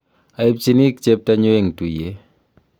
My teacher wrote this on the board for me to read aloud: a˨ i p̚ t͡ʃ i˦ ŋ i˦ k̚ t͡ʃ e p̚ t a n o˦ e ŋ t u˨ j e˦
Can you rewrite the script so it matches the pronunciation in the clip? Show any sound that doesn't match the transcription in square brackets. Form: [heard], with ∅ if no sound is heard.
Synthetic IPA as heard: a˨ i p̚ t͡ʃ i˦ [n] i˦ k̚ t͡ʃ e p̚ t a [ɲ] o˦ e ŋ t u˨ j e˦